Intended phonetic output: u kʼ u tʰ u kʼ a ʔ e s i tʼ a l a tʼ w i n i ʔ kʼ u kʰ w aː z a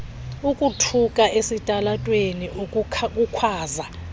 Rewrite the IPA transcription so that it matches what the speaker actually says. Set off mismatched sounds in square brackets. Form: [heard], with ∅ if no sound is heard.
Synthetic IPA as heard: u kʼ u tʰ u kʼ a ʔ e s i tʼ a l a tʼ w [e] n i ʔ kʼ u kʰ w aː z a

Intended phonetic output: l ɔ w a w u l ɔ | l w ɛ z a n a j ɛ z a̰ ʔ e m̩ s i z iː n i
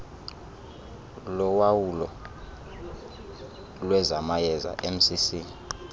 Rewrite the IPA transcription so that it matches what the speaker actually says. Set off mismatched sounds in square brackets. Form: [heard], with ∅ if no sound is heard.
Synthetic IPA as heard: l ɔ w a w u l ɔ | l w ɛ z a [m] a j ɛ z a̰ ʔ e m̩ s i [s] iː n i

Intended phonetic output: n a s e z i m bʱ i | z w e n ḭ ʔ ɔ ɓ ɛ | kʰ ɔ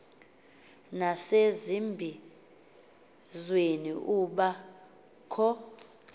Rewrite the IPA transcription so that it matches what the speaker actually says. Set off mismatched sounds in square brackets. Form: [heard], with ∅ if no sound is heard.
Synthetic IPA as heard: n a s e z i m bʱ i | z w e n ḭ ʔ [u] ɓ [a] | kʰ ɔ

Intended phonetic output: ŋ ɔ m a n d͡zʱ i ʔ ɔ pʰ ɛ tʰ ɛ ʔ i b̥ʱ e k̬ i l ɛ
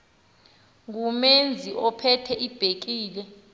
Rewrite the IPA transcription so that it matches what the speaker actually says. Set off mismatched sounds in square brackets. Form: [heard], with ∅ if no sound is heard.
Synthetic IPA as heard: ŋ [u] m [e] n d͡zʱ i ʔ ɔ pʰ ɛ tʰ ɛ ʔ i b̥ʱ e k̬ [iː] l ɛ

